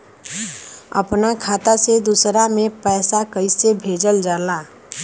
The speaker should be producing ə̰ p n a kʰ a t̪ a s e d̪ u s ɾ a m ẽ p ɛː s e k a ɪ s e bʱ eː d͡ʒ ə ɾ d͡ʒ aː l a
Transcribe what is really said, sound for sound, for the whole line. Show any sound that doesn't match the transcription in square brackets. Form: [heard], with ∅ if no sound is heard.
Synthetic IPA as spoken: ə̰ p n a kʰ a t̪ a s e d̪ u s ɾ a m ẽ p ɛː s [a] k [ə] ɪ s e bʱ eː d͡ʒ ə [l] d͡ʒ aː l a